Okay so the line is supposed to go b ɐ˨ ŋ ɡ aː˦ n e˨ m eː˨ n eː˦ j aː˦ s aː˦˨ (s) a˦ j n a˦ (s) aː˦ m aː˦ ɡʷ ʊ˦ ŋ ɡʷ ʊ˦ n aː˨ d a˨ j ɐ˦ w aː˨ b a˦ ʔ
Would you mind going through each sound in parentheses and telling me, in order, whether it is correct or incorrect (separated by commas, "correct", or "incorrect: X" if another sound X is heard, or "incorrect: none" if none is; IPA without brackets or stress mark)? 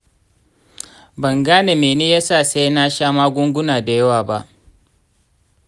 correct, incorrect: ʃ